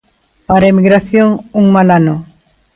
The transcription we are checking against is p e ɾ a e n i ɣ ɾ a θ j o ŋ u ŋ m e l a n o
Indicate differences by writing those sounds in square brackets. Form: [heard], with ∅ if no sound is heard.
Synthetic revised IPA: p [a] ɾ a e [m] i ɣ ɾ a θ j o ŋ u ŋ m [a] l a n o

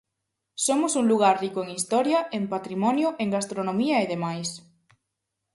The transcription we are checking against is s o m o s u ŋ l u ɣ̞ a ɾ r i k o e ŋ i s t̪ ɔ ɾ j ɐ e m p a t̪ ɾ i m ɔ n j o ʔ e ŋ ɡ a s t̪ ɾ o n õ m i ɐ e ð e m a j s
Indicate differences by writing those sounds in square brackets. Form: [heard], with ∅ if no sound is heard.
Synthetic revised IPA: s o m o s u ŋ l u ɣ̞ a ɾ r i k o e ŋ i s t̪ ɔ ɾ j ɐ e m p a t̪ ɾ i m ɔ n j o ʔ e ŋ ɡ a s t̪ ɾ o n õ m i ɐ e ð e m a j s

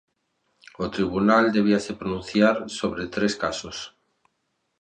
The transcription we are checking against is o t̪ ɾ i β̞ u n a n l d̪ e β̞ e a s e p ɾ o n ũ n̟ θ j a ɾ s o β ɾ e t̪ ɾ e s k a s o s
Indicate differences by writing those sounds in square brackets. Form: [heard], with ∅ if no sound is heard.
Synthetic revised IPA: o t̪ ɾ i β̞ u n a [∅] l d̪ e β̞ [i] a s e p ɾ o n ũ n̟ θ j a ɾ s o β ɾ e t̪ ɾ e s k a s o s

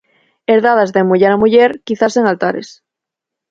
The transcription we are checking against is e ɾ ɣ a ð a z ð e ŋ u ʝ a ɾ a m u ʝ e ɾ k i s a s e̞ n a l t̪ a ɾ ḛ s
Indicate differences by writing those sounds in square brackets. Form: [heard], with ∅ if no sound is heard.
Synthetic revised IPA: e ɾ [ð] a ð a z ð e [m] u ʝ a ɾ a m u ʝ e ɾ k i [θ] a s e̞ [ŋ] a l t̪ a ɾ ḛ s

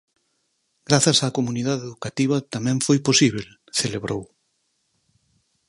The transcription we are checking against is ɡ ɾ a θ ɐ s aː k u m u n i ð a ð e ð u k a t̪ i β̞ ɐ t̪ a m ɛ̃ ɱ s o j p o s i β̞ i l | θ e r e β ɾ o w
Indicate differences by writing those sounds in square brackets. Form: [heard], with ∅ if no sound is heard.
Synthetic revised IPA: ɡ ɾ a θ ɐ s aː k [o] m u n i ð a ð e ð u k a t̪ i β̞ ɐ t̪ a m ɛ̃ ɱ [f] o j p o s i β̞ [e] l | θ e [l] e β ɾ o w

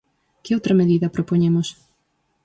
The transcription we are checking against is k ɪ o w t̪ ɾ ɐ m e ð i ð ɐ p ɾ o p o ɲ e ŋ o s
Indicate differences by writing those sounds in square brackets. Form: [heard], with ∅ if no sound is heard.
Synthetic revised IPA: k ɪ o w t̪ ɾ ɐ m e ð i ð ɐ p ɾ o p o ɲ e [m] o s

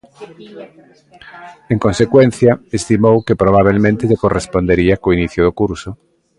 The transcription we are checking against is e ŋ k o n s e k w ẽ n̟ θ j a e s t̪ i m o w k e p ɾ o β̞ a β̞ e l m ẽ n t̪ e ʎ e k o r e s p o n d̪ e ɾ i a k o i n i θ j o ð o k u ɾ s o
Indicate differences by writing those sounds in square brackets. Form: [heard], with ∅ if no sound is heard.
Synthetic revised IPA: e ŋ k o n s e k w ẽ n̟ θ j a e s t̪ i m o w k e p ɾ o β̞ a β̞ e l m ẽ n t̪ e ʎ e k o r e s p o n d̪ e ɾ i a k o i n i θ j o ð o k u ɾ s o

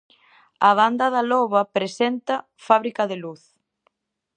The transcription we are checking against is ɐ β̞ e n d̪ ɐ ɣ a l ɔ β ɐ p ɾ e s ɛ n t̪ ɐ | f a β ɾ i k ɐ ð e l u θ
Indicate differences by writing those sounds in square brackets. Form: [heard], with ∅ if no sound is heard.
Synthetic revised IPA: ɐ β̞ [a] n d̪ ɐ [ð] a l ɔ β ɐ p ɾ e s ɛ n t̪ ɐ | f a β ɾ i k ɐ ð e l u θ

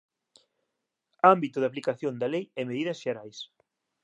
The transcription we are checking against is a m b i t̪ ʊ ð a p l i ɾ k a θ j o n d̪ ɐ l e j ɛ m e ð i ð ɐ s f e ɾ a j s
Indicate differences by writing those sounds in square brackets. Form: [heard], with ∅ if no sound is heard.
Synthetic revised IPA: a m b i t̪ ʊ ð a p l i [∅] k a θ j o n d̪ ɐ l e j ɛ m e ð i ð ɐ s [ʃ] e ɾ a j s

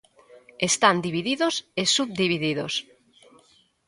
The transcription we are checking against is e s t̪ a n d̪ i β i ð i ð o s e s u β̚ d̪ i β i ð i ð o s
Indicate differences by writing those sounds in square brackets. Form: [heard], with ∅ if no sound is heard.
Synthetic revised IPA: e s t̪ a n d̪ i β i ð i ð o s e s u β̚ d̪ i β i ð i ð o s

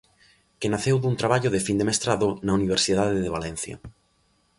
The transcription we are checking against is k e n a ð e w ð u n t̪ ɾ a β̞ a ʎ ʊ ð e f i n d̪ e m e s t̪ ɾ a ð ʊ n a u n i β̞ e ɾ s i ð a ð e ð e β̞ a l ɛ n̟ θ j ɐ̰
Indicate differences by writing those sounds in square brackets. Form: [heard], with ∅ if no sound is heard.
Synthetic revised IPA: k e n a [θ] e w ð u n t̪ ɾ a β̞ a ʎ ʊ ð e f i n d̪ e m e s t̪ ɾ a ð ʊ n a u n i β̞ e ɾ s i ð a ð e ð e β̞ a l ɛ n̟ θ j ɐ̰

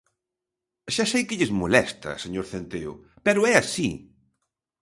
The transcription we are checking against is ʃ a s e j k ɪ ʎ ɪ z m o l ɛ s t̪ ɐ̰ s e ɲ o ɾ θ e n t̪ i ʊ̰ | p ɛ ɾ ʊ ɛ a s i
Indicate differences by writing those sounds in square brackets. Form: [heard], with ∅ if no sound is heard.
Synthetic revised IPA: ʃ a s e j k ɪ ʎ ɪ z m o l ɛ s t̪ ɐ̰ s e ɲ o ɾ θ e n t̪ [e] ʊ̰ | p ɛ ɾ ʊ ɛ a s i

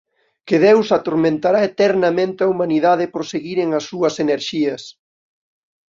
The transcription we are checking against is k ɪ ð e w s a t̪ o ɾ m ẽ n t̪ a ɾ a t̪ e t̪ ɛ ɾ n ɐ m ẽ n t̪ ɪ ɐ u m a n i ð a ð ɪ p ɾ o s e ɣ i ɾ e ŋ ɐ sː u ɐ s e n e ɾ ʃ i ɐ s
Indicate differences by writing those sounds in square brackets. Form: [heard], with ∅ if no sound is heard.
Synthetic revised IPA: k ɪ ð e w s a t̪ o ɾ m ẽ n t̪ a ɾ a [∅] e t̪ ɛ ɾ n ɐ m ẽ n t̪ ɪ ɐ u m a n i ð a ð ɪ p ɾ o s e ɣ i ɾ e ŋ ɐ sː u ɐ s e n e ɾ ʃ i ɐ s

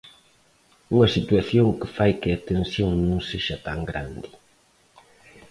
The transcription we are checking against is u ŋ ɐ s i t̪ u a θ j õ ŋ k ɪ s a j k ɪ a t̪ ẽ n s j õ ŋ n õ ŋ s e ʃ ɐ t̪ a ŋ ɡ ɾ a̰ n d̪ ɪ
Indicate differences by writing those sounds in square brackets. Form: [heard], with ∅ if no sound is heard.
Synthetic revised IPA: u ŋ ɐ s i t̪ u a θ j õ ŋ k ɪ [f] a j k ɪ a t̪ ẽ n s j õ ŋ n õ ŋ s e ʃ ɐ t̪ a ŋ ɡ ɾ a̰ n d̪ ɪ

